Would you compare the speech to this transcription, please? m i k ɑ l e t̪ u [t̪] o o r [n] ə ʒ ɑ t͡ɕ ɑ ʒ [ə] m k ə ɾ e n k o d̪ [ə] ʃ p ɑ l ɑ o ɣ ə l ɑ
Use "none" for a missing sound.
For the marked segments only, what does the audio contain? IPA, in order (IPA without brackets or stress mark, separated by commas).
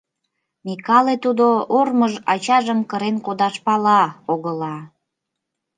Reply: d̪, m, ə, ɑ